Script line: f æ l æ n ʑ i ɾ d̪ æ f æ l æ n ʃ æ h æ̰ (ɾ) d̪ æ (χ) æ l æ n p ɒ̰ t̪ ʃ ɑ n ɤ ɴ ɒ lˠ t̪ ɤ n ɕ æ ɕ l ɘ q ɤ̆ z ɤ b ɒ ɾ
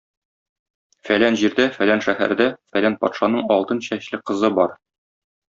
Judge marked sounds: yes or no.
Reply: yes, no

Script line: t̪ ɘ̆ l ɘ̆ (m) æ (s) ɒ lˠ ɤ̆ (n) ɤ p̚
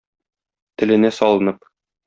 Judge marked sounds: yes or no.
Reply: no, yes, yes

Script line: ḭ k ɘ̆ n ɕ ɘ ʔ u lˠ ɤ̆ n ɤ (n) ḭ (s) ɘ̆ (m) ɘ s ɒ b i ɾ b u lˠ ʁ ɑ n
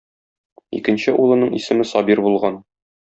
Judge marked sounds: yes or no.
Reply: no, yes, yes

